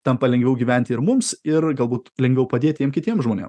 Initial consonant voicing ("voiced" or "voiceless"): voiceless